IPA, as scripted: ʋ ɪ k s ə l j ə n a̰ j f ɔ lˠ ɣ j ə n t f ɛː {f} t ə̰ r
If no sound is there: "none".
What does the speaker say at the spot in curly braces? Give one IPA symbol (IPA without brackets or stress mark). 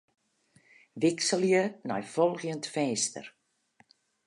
s